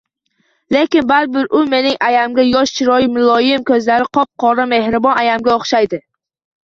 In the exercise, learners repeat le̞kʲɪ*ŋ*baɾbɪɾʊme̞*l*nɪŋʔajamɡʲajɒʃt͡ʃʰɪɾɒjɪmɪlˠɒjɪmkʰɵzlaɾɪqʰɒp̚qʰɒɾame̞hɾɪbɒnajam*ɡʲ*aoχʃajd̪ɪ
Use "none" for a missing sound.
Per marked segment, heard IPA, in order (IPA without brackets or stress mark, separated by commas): n, none, ɡʲ